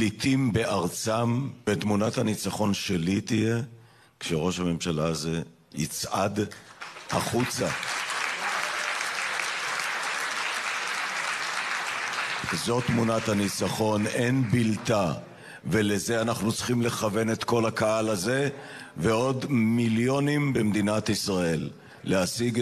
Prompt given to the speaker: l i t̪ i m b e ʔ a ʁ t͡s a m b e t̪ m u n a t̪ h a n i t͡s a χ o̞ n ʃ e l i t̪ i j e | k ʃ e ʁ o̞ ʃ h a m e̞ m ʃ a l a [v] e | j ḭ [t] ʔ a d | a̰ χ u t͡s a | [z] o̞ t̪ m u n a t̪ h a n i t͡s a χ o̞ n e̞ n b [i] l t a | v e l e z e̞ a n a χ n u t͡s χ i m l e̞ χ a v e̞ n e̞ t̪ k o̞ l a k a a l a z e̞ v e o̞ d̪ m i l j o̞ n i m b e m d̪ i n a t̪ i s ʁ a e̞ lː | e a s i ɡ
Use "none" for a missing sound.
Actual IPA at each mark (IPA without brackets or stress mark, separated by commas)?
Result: z, t͡s, z, i